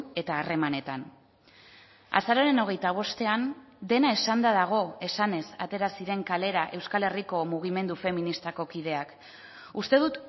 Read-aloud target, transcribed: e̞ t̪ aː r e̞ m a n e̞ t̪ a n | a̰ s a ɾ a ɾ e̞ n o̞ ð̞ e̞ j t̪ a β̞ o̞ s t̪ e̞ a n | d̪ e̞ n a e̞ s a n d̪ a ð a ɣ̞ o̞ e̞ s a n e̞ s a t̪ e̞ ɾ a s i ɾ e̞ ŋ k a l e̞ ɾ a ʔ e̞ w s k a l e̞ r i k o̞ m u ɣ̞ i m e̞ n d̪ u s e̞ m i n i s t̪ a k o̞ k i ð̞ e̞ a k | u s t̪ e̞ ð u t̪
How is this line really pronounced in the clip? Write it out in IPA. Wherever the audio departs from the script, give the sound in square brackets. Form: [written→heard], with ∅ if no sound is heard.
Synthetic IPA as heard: e̞ t̪ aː r e̞ m a n e̞ t̪ a n | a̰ s a ɾ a ɾ e̞ n o̞ [ð̞→ɣ̞] e̞ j t̪ a β̞ o̞ s t̪ e̞ a n | d̪ e̞ n a e̞ s a n d̪ a ð a ɣ̞ o̞ e̞ s a n e̞ s a t̪ e̞ ɾ a s i ɾ e̞ ŋ k a l e̞ ɾ a ʔ e̞ w s k a l e̞ r i k o̞ m u ɣ̞ i m e̞ n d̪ u [s→f] e̞ m i n i s t̪ a k o̞ k i ð̞ e̞ a k | u s t̪ e̞ ð u t̪